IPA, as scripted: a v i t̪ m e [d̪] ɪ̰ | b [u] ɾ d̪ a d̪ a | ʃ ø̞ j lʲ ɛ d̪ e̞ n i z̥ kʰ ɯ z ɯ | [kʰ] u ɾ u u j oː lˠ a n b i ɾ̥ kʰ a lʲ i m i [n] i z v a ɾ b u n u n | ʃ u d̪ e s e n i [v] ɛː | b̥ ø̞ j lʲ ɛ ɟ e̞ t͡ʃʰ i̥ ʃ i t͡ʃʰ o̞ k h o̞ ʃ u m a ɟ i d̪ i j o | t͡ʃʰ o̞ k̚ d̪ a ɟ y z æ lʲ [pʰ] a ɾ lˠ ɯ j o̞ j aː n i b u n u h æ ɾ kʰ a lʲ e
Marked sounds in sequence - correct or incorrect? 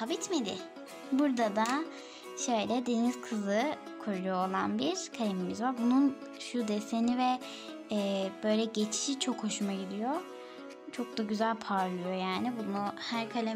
correct, correct, correct, incorrect, correct, correct

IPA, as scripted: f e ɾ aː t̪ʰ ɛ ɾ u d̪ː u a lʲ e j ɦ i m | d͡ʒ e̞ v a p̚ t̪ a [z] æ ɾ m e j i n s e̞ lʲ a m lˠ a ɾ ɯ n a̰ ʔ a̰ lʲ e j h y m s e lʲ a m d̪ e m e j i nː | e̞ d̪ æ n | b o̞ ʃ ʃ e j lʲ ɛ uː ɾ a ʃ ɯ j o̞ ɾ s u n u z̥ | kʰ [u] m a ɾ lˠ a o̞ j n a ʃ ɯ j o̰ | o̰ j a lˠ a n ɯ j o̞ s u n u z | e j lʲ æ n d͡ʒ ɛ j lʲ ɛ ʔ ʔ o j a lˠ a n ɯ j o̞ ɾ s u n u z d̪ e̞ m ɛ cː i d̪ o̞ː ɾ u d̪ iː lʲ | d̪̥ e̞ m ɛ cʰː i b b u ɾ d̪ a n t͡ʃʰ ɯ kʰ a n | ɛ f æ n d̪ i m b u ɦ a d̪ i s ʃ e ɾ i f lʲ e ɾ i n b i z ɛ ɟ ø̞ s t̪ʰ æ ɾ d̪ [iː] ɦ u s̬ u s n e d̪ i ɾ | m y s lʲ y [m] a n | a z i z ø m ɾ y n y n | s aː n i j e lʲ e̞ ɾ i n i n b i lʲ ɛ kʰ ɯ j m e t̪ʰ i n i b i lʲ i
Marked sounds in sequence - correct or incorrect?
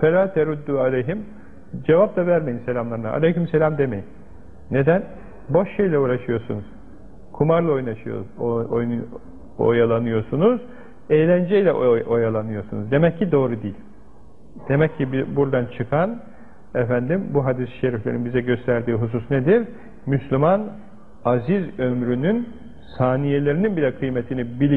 incorrect, correct, correct, correct

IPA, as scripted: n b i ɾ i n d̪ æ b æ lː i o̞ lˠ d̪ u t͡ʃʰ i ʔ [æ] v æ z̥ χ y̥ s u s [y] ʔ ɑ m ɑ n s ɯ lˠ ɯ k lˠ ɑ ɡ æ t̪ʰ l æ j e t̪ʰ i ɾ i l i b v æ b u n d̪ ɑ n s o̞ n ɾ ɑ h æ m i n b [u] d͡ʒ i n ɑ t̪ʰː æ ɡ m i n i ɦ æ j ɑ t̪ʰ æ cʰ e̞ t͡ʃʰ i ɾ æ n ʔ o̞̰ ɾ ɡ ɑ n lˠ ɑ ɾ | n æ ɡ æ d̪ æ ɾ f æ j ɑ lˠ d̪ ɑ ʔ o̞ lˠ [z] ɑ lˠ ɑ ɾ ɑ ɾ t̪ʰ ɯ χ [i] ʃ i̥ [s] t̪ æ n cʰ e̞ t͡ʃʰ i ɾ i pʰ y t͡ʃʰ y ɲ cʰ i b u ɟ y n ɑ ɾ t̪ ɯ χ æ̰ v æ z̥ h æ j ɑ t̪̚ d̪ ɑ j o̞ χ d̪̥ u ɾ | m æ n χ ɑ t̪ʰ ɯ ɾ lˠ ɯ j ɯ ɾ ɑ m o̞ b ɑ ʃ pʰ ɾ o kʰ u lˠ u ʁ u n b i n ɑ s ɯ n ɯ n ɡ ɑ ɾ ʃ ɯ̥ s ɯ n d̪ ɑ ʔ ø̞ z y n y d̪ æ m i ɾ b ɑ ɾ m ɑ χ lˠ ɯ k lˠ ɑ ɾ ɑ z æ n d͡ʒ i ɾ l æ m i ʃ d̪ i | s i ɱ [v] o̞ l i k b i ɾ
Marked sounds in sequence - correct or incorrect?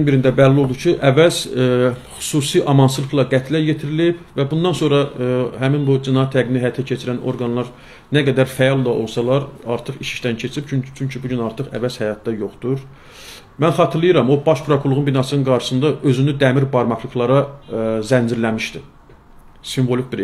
correct, incorrect, correct, incorrect, correct, incorrect, correct

